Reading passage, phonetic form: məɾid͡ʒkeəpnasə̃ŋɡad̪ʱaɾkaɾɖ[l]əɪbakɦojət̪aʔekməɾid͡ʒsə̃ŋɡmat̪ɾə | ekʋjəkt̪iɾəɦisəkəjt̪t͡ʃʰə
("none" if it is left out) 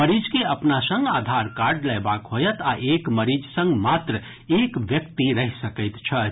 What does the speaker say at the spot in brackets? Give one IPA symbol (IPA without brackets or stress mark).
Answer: l